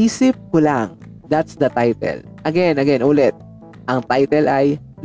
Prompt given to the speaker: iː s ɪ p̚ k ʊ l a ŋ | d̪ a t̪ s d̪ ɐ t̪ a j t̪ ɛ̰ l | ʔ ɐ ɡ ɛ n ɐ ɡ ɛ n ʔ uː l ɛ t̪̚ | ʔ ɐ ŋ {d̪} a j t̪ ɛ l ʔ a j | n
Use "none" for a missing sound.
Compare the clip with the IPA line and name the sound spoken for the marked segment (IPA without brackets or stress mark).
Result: t̪